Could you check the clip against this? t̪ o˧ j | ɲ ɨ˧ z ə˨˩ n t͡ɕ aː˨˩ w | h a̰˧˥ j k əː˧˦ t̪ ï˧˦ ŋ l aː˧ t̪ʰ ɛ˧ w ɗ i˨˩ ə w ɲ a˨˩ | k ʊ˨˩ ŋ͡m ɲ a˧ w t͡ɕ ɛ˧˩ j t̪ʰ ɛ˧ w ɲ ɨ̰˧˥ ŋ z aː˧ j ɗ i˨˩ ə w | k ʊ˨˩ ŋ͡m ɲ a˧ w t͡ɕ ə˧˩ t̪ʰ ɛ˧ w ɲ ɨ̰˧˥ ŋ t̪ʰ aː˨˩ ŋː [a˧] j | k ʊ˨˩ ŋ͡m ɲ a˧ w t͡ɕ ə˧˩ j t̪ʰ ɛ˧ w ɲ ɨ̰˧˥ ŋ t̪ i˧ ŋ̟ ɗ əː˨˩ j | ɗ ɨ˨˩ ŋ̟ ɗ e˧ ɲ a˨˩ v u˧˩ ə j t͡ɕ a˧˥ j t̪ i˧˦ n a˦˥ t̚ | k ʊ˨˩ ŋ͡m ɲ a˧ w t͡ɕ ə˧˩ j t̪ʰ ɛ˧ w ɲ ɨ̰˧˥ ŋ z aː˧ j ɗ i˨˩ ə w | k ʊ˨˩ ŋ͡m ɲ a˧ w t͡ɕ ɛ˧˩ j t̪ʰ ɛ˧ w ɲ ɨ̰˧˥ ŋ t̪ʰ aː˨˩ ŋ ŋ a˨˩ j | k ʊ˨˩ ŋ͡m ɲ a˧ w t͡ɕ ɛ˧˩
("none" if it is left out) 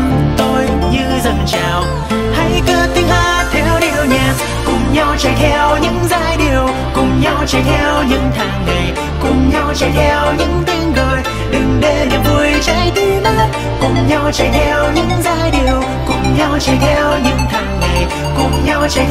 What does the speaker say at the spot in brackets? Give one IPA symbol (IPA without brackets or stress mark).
a˨˩